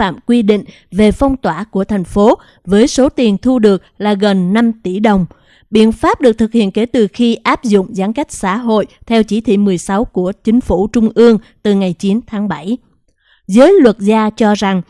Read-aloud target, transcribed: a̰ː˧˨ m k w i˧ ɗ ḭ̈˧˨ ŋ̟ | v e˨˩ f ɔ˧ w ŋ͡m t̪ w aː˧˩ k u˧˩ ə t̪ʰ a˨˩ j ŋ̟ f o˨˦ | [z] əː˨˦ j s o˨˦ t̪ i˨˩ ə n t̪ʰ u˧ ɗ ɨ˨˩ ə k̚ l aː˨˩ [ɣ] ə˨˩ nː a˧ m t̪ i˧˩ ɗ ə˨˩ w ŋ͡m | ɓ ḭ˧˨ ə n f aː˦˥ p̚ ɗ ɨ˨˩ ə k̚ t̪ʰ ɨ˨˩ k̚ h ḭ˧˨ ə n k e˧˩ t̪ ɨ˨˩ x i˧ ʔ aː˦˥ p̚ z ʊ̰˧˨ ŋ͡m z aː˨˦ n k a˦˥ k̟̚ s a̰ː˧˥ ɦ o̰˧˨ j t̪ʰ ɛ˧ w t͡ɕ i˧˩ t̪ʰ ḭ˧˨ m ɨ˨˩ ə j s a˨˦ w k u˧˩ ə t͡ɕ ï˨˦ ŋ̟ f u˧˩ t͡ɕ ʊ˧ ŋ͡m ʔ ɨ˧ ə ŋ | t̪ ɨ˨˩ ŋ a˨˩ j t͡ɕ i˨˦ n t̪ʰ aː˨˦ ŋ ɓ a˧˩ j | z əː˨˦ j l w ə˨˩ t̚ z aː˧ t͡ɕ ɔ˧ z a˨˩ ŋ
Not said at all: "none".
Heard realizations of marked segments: v, ɣ

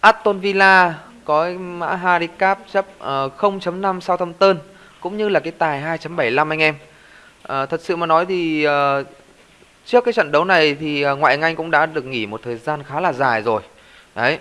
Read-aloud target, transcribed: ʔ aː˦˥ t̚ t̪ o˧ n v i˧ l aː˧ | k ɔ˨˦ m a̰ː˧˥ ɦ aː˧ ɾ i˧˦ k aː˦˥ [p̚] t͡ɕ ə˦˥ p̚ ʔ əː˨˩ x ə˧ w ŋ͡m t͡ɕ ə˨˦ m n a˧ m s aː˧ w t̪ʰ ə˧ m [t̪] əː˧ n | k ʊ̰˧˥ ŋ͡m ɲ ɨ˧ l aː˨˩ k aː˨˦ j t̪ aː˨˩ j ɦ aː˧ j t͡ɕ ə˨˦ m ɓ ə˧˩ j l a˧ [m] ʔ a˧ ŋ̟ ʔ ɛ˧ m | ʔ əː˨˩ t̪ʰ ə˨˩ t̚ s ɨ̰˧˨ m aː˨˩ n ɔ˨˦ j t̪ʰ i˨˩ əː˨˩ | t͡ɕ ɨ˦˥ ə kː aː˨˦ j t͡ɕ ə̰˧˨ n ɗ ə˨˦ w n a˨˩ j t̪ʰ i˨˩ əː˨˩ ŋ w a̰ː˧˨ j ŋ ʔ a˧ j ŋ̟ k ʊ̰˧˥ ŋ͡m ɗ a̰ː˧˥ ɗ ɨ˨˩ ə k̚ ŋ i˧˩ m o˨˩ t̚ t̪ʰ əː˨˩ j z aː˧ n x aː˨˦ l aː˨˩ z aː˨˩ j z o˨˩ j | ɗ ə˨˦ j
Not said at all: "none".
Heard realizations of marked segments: p̚, t̪, m

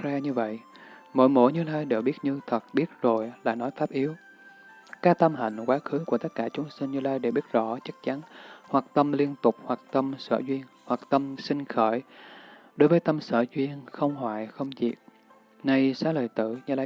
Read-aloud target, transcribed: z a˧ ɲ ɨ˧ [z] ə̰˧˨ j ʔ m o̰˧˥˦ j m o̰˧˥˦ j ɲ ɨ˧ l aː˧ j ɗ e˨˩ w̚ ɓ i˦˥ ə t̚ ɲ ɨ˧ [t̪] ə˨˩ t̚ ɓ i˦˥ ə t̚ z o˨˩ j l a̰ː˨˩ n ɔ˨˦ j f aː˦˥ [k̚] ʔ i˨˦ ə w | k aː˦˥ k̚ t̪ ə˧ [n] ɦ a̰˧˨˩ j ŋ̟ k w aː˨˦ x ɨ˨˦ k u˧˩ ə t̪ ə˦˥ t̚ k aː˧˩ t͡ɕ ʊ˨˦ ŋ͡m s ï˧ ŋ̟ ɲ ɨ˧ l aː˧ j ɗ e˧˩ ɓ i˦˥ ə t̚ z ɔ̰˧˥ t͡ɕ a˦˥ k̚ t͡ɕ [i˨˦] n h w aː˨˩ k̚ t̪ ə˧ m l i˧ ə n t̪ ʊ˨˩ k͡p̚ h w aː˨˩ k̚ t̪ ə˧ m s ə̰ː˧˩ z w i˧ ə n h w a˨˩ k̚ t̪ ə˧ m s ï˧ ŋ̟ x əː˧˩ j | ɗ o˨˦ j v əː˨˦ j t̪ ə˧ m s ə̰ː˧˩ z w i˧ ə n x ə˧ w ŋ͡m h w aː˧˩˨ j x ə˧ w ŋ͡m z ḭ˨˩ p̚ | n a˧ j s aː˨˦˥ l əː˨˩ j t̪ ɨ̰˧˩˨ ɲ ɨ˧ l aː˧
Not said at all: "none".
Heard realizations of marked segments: v, t̪ʰ, p̚, m, a˨˦

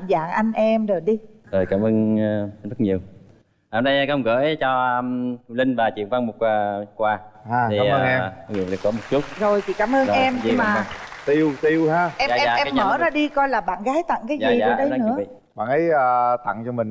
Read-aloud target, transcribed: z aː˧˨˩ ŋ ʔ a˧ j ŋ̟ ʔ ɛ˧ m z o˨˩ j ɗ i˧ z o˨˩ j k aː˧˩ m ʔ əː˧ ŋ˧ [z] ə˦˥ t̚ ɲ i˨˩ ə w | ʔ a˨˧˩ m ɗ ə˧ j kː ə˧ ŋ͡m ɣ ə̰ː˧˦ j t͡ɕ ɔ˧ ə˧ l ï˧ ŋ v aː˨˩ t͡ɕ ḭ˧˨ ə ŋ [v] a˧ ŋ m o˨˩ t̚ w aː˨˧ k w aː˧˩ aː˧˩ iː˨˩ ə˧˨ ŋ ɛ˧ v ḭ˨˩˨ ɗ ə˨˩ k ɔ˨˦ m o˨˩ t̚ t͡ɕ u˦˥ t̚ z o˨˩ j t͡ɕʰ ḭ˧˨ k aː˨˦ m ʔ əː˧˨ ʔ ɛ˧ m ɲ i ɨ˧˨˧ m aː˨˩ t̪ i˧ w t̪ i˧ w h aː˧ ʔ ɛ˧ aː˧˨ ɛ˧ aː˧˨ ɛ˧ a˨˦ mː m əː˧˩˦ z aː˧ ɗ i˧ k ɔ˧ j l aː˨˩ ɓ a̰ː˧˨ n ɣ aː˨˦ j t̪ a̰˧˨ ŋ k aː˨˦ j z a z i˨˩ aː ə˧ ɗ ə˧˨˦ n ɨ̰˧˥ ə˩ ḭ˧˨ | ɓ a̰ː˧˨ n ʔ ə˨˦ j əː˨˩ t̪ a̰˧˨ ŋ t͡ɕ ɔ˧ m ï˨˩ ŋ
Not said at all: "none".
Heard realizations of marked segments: z, v

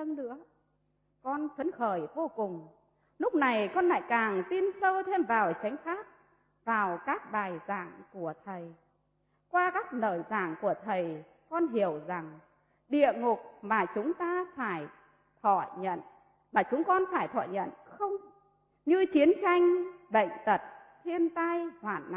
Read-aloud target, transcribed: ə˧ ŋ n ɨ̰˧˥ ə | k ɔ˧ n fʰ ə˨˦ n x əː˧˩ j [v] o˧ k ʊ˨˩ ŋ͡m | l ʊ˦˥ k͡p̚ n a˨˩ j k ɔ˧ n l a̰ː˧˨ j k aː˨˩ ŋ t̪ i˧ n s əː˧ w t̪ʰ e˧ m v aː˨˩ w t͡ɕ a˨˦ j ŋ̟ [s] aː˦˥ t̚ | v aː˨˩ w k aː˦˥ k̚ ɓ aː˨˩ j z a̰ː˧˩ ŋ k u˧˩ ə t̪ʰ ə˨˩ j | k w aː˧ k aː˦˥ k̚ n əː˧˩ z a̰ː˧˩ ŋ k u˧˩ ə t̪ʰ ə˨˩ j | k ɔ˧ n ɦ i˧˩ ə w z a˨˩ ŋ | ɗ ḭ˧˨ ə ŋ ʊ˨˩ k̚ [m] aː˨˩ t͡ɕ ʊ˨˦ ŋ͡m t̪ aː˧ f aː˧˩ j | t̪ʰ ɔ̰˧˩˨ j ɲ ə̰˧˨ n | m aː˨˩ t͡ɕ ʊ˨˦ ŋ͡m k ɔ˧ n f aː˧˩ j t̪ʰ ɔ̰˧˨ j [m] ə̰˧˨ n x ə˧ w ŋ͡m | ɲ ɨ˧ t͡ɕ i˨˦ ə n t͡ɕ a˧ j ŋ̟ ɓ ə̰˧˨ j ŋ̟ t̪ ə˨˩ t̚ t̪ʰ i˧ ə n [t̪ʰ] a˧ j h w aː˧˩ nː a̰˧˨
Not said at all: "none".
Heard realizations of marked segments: v, x, m, ɲ, t̪

